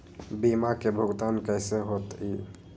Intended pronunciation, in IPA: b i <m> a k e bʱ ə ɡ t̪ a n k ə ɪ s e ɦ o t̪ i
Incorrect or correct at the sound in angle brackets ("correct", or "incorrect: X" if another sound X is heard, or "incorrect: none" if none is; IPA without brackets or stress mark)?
correct